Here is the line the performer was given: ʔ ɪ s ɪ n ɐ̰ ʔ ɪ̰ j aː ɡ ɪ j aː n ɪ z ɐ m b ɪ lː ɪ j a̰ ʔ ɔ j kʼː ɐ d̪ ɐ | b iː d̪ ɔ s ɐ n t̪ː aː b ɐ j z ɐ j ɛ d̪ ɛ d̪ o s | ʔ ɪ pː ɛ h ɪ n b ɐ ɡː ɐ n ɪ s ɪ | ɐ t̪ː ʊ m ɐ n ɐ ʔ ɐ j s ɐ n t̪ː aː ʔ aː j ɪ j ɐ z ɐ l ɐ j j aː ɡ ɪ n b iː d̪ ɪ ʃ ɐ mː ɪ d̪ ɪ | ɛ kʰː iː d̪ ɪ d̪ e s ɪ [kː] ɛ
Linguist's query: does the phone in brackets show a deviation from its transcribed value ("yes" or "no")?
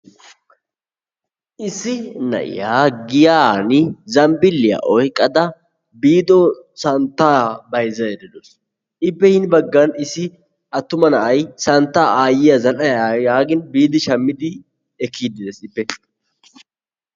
yes